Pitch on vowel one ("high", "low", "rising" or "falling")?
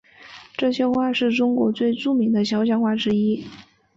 falling